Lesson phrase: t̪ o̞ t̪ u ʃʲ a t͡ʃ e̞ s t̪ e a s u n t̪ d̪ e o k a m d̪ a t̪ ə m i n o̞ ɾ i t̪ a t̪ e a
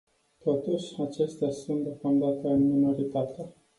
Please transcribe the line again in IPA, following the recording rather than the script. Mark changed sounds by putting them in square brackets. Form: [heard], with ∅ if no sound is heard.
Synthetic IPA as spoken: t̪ o̞ t̪ u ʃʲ a t͡ʃ e̞ s t̪ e a s u n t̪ d̪ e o k a m d̪ a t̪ ə m i n o̞ ɾ i t̪ a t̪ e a